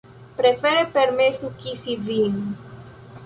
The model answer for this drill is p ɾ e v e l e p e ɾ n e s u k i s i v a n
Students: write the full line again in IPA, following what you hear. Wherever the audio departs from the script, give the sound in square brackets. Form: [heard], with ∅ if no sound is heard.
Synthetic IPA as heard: p ɾ e [f] e [ɾ] e p e ɾ [m] e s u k i s i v [i] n